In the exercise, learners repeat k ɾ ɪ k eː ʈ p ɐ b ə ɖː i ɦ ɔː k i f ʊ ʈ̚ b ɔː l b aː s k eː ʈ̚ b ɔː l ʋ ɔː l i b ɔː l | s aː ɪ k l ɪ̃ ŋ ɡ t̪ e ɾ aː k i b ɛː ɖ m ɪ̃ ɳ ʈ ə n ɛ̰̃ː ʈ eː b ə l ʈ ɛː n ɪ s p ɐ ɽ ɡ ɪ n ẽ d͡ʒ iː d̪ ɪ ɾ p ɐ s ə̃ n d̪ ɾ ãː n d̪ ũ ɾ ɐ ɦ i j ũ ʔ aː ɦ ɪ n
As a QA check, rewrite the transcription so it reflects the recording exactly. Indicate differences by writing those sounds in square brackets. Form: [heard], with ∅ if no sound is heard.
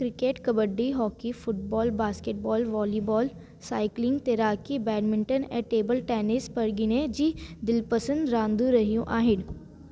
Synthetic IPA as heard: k ɾ ɪ k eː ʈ [k] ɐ b ə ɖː i ɦ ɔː k i f ʊ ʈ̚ b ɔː l b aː s k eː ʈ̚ b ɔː l ʋ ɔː l i b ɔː l | s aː ɪ k l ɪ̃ ŋ ɡ t̪ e ɾ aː k i b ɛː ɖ m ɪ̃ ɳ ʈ ə n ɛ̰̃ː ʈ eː b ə l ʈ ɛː n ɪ s p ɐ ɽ ɡ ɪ n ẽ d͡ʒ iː d̪ ɪ [l] p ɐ s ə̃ n d̪ ɾ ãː n d̪ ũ ɾ ɐ ɦ i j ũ ʔ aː ɦ ɪ n